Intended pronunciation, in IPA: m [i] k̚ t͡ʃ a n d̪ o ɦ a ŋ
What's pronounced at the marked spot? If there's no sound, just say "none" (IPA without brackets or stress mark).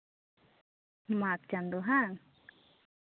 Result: a